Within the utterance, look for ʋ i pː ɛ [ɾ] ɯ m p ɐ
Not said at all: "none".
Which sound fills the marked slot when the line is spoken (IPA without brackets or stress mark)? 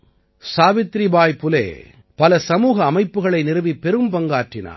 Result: ɾ